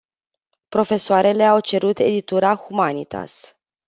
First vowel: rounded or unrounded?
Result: rounded